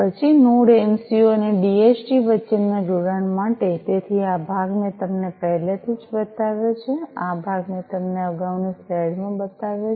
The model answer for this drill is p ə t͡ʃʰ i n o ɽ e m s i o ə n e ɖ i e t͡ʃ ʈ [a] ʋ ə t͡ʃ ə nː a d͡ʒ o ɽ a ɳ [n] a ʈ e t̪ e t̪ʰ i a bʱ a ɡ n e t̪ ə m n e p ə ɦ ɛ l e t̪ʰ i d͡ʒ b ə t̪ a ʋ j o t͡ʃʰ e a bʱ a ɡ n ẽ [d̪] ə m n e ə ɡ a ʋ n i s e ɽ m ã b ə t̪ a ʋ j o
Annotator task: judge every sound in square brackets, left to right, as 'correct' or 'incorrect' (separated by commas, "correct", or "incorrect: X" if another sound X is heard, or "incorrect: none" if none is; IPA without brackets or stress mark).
incorrect: i, incorrect: m, incorrect: t̪